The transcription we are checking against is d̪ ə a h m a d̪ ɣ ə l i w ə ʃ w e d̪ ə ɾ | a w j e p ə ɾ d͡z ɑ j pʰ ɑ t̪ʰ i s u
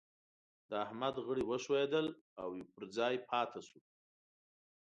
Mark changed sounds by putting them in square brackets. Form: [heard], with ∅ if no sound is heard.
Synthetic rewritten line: d̪ ə a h m a d̪ ɣ ə [ɽ] i w ə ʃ w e d̪ ə [l] | a w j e p ə ɾ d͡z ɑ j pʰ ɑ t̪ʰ [a] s u